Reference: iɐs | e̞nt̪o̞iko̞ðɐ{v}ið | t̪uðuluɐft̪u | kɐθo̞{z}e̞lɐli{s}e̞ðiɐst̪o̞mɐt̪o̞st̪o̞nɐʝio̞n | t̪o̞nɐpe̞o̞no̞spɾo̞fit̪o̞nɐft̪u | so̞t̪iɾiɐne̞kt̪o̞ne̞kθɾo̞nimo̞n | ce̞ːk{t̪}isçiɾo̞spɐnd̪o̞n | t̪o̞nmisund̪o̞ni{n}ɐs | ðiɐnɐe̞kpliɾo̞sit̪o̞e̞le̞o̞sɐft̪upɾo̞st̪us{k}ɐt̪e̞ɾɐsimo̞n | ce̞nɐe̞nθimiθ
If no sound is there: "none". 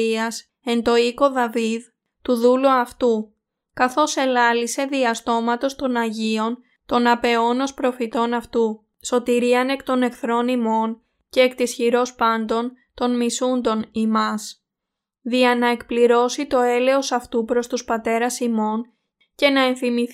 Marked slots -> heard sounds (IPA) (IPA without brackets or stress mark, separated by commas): v, s, s, t̪, m, p